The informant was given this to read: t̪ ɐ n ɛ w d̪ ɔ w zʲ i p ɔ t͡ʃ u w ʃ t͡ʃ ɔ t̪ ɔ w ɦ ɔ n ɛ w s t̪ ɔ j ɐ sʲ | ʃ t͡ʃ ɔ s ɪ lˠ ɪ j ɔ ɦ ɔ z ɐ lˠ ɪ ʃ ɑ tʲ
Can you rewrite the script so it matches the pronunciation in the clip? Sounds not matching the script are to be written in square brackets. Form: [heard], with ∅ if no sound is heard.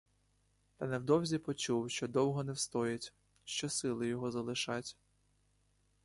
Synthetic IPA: t̪ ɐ n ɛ w d̪ ɔ w zʲ i p ɔ t͡ʃ u w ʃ t͡ʃ ɔ [d̪] ɔ w ɦ ɔ n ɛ w s t̪ ɔ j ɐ [tʲ] | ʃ t͡ʃ ɔ s ɪ lˠ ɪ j ɔ ɦ ɔ z ɐ lˠ ɪ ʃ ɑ tʲ